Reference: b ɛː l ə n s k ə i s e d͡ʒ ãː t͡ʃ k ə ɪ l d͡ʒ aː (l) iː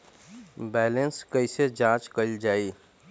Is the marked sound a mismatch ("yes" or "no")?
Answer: yes